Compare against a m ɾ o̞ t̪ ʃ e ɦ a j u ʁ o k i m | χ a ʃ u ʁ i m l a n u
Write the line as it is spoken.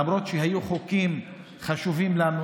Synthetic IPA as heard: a m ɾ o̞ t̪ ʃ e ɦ a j u χ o k i m | χ a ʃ u v i m l a n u